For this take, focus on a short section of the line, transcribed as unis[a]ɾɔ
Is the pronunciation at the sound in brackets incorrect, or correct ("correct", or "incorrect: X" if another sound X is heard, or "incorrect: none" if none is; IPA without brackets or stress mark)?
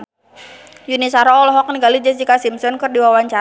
correct